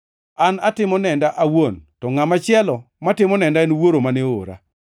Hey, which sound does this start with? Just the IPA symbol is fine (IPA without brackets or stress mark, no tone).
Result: a